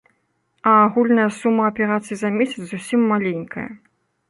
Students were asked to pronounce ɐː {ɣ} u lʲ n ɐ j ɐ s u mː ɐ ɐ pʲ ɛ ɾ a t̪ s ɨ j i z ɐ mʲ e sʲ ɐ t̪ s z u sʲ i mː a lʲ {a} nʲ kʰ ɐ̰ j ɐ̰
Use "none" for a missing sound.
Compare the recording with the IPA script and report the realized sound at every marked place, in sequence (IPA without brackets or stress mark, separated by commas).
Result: ɣ, e